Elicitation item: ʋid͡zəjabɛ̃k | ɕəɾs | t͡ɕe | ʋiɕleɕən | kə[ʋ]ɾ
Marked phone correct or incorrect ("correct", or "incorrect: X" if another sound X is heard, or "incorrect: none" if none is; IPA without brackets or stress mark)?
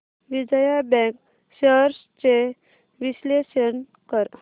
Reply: incorrect: none